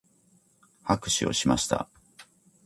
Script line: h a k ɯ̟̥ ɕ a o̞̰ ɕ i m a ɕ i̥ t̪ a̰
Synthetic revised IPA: h a k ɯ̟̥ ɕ i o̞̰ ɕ i m a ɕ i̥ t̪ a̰